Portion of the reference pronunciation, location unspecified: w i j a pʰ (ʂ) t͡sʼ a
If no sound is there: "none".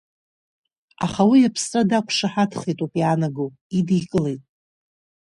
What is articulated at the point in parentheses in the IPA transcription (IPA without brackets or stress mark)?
s